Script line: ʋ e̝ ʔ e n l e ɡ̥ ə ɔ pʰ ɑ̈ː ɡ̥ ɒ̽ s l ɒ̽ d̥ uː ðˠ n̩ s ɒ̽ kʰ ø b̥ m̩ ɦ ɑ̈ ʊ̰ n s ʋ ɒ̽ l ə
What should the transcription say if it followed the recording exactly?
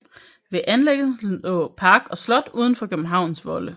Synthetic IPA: ʋ e̝ ʔ æ n l e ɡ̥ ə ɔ pʰ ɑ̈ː ɡ̥ ɒ̽ s l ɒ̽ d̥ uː ðˠ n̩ f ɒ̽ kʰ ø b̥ m̩ ɦ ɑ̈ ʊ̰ n s ʋ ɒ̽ l ə